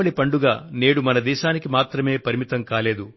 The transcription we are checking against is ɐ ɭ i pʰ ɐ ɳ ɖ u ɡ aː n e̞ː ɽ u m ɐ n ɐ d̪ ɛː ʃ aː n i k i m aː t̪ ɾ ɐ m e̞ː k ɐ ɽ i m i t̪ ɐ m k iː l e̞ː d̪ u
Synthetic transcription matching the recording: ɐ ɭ i p ɐ ɳ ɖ u ɡ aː n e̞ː ɽ u m ɐ n ɐ d̪ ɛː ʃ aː n i k i m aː t̪ ɾ ɐ m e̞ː p ɐ ɾ i m i t̪ ɐ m k aː l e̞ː d̪ u